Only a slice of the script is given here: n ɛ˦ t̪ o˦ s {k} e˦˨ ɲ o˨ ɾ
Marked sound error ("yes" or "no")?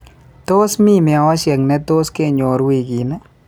no